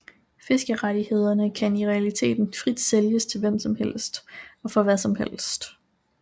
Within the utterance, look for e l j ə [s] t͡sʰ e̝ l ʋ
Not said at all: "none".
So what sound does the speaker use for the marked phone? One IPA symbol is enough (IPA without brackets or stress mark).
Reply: s